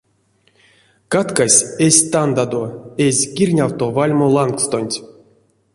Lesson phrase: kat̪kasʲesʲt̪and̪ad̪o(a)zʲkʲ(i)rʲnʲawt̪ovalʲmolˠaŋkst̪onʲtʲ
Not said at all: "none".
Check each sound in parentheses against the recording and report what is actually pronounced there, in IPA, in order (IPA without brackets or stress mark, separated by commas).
e, i